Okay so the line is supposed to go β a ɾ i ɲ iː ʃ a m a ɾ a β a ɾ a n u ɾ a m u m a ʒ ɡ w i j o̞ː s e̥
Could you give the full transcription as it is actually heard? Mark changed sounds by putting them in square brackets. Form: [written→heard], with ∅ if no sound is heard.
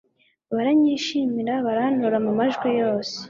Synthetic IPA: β a ɾ [i→a] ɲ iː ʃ [a→i] m [a→i] ɾ a β a ɾ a n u ɾ a m u m a ʒ ɡ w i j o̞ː s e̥